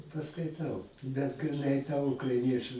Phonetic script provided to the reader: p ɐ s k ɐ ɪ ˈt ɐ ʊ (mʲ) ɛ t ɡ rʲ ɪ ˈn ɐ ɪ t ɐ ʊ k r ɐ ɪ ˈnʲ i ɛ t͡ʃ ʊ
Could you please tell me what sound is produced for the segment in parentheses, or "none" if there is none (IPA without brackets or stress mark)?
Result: bʲ